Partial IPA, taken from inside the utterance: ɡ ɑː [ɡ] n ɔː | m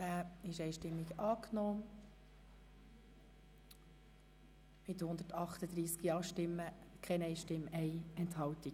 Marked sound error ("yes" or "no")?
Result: yes